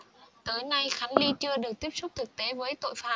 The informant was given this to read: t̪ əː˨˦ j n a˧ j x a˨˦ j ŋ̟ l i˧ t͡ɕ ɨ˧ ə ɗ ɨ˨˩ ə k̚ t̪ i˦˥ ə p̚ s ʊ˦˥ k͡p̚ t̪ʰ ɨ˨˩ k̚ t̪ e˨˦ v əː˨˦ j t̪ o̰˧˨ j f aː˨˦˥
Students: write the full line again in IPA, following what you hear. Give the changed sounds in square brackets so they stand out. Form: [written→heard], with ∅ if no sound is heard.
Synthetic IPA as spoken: t̪ əː˨˦ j n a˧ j x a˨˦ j ŋ̟ l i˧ t͡ɕ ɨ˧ ə ɗ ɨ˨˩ ə k̚ t̪ i˦˥ ə p̚ s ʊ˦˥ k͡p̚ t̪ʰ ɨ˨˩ k̚ t̪ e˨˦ v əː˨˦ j t̪ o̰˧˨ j f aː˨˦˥